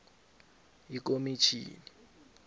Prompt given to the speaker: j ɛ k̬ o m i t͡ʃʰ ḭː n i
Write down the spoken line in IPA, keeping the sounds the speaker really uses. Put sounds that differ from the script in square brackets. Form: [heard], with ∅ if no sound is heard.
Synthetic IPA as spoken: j [i] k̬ o m i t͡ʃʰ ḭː n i

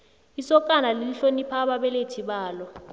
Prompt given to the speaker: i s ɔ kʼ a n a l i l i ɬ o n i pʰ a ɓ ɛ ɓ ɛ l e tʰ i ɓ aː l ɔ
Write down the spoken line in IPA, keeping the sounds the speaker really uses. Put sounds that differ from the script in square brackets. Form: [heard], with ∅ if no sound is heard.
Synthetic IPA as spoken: i s ɔ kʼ a n a l i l i ɬ o n i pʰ a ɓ [a] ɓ ɛ l e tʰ i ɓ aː l ɔ

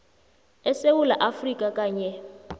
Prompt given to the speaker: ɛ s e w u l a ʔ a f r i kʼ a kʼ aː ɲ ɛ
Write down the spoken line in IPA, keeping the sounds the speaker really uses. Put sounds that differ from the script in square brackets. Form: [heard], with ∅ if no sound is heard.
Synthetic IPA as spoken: ɛ s e w u l a ʔ a f r i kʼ a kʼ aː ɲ ɛ

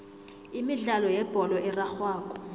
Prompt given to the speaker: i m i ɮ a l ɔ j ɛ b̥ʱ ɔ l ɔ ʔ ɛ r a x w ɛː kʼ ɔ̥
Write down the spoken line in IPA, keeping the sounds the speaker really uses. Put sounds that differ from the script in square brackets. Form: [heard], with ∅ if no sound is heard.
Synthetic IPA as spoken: i m i ɮ a l ɔ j ɛ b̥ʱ ɔ l ɔ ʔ ɛ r a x w [aː] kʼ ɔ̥

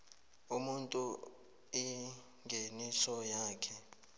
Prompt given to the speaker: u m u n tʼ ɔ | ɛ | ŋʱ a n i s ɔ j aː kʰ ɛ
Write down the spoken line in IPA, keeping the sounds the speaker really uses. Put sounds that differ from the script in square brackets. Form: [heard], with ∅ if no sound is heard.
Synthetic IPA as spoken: u m u n tʼ [u] | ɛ | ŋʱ [e] n i s ɔ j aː kʰ ɛ

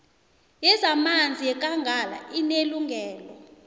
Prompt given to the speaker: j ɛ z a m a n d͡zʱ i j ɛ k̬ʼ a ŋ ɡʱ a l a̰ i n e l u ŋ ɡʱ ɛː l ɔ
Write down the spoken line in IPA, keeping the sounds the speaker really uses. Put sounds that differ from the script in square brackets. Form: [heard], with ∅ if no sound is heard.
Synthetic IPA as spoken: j ɛ z a m a n d͡zʱ i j ɛ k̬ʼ a ŋ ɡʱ a l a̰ i n e l u ŋ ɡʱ ɛː l ɔ

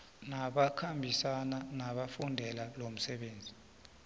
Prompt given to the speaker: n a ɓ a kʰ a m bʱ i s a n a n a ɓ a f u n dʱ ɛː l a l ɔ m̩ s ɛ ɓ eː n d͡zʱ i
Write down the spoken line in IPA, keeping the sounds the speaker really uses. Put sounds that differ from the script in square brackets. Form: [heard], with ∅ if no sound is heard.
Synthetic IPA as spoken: n a ɓ a kʰ a m bʱ i s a n a n a ɓ a f u n dʱ [ɛ] l a l [o] m̩ s ɛ ɓ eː n d͡zʱ i

